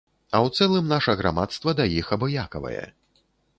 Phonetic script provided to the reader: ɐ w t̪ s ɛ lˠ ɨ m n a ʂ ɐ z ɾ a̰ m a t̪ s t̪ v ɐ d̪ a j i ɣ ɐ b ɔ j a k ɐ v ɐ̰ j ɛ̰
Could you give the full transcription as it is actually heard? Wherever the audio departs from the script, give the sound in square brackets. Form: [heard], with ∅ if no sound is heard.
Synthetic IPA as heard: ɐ w t̪ s ɛ lˠ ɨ m n a ʂ ɐ [ɣ] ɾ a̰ m a t̪ s t̪ v ɐ d̪ a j i [x] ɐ b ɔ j a k ɐ v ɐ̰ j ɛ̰